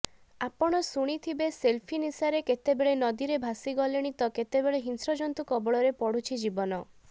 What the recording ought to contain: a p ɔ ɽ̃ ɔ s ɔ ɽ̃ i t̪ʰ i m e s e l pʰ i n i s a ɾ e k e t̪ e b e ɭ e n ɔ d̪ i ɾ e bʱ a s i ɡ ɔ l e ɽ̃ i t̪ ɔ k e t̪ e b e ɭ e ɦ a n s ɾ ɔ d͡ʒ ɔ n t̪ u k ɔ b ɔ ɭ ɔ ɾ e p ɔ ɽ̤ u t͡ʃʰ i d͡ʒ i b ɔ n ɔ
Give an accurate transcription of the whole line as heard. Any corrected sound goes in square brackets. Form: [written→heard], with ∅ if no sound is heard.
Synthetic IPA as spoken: a p ɔ ɽ̃ ɔ s [ɔ→u] ɽ̃ i t̪ʰ i [m→b] e s e l pʰ i n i s a ɾ e k e t̪ e b e ɭ e n ɔ d̪ i ɾ e bʱ a s i ɡ ɔ l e ɽ̃ i t̪ ɔ k e t̪ e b e ɭ e ɦ [a→i] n s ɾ ɔ d͡ʒ ɔ n t̪ u k ɔ b ɔ ɭ ɔ ɾ e p ɔ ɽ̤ u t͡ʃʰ i d͡ʒ i b ɔ n ɔ